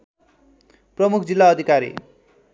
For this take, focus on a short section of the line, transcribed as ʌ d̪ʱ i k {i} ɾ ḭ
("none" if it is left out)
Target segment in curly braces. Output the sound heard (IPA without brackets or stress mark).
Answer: a